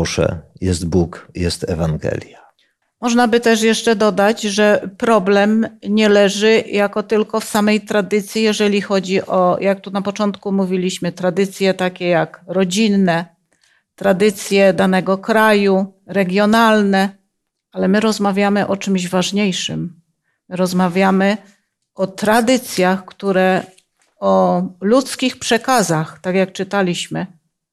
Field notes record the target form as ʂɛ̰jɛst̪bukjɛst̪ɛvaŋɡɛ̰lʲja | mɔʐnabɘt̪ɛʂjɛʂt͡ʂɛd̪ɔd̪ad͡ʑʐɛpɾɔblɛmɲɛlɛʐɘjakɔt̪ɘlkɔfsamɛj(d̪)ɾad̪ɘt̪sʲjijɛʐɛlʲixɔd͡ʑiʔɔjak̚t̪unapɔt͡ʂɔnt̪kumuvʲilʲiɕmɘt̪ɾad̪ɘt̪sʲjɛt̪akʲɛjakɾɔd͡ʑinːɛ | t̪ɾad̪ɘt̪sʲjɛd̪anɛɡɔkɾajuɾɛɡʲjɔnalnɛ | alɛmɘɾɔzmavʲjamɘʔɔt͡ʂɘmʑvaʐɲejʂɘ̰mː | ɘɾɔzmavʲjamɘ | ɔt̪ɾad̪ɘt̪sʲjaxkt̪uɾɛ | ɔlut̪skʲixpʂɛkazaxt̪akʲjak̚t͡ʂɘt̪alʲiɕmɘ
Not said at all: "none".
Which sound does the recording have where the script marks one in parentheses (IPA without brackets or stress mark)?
t̪